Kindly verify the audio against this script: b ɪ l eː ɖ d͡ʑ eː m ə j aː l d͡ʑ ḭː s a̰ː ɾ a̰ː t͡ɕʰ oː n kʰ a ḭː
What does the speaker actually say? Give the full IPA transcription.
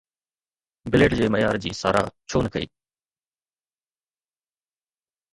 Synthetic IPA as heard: b ɪ l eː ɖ d͡ʑ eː m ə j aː ɾ d͡ʑ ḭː s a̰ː ɾ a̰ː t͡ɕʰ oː n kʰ ə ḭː